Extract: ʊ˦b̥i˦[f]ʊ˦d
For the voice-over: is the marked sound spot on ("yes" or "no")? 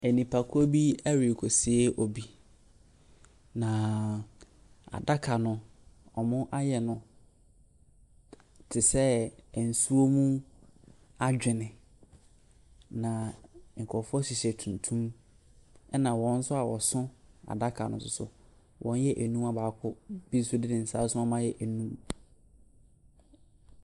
no